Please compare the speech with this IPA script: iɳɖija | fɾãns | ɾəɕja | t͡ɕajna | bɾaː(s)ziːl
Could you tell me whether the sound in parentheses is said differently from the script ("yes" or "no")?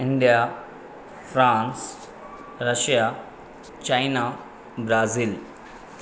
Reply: yes